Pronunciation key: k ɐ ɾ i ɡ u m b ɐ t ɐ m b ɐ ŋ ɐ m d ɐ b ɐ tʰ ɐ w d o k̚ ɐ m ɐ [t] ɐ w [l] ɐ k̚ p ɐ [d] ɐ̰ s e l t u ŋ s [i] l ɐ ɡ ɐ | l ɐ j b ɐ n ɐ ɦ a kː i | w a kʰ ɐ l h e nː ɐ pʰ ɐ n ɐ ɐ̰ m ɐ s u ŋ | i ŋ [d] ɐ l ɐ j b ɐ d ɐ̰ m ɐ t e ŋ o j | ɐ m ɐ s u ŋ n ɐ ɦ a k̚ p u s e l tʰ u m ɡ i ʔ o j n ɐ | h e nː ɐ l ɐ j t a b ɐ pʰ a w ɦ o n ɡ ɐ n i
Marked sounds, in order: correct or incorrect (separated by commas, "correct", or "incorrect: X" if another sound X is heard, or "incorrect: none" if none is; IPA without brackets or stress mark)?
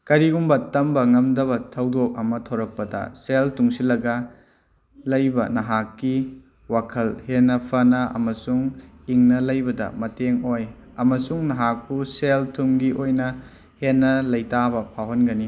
incorrect: tʰ, incorrect: ɾ, correct, correct, incorrect: n